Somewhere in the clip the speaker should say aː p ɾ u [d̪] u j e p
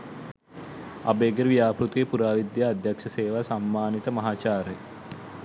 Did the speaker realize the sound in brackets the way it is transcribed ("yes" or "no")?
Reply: no